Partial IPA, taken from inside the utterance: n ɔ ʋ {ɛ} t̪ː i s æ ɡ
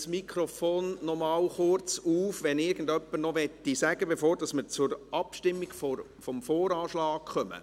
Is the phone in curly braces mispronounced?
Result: no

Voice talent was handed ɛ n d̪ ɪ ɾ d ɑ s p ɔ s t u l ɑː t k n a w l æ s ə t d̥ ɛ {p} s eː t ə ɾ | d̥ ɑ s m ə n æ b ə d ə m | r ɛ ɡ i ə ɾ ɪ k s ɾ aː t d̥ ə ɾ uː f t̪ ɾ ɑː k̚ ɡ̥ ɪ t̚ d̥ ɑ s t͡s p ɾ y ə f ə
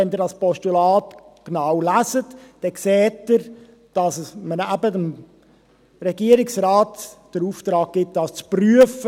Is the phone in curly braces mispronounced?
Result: yes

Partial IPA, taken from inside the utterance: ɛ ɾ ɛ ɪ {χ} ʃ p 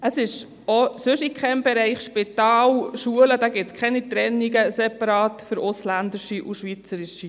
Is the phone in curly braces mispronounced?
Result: no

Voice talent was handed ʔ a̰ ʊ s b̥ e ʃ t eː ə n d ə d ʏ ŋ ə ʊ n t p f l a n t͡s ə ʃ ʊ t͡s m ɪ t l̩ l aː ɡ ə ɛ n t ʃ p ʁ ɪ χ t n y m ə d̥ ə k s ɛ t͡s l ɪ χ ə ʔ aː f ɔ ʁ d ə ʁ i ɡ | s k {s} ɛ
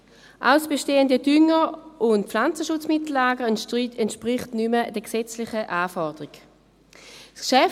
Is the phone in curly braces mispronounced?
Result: yes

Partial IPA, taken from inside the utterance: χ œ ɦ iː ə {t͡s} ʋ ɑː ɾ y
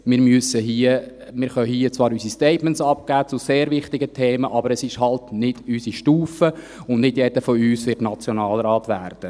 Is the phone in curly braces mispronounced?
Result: no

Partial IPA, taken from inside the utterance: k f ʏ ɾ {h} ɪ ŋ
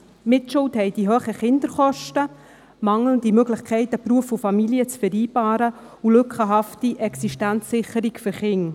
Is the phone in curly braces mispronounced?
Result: yes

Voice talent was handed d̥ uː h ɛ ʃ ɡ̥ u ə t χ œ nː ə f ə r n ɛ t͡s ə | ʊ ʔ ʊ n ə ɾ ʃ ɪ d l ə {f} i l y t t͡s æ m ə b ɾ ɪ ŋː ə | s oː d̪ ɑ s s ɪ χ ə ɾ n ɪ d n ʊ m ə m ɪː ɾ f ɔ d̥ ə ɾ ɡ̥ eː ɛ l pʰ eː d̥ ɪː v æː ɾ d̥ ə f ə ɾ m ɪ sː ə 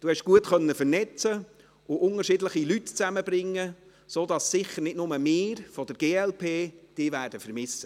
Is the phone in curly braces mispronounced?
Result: yes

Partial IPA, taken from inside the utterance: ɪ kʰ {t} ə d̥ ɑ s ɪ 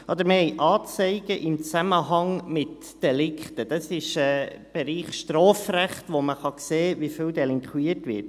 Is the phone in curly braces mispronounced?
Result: no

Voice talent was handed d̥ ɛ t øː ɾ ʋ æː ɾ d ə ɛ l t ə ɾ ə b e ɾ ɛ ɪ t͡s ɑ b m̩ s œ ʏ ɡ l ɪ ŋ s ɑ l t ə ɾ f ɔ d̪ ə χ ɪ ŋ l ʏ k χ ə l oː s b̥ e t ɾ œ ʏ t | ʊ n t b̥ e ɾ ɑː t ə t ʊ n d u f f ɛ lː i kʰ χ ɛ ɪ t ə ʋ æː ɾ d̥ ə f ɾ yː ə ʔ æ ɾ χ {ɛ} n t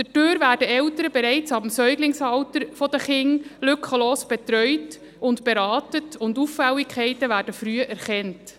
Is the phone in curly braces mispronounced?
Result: no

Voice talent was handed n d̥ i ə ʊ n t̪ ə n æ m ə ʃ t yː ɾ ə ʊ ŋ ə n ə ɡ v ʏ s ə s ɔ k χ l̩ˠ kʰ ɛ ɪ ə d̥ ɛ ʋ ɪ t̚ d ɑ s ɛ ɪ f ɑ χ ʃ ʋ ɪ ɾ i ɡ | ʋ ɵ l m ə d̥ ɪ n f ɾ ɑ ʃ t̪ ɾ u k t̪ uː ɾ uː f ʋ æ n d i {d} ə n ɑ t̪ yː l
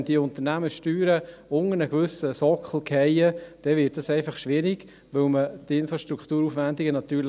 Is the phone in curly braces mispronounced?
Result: yes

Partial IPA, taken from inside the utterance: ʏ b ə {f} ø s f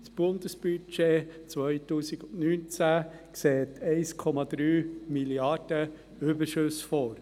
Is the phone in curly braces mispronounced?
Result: yes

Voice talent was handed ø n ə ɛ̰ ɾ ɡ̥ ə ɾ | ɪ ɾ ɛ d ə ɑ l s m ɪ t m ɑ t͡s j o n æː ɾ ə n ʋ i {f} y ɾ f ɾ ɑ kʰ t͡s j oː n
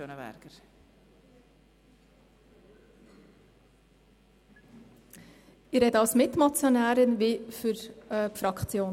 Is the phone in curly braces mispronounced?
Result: no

